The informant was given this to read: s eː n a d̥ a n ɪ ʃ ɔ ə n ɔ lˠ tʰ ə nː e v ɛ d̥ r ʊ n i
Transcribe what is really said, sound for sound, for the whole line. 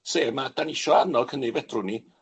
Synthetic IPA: s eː m a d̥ a n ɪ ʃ ɔ a n ɔ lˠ kʰ ə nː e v ɛ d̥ r ʊ n i